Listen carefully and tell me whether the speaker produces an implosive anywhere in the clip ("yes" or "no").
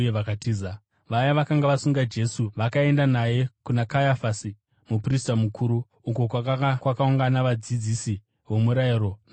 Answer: no